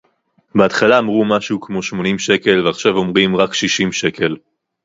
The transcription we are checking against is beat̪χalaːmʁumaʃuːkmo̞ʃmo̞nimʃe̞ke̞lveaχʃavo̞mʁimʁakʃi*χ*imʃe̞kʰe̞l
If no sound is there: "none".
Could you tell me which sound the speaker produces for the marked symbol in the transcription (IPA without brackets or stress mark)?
ʃ